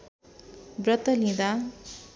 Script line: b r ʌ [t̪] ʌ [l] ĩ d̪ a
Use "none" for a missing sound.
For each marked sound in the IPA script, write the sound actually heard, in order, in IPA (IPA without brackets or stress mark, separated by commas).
t̪, l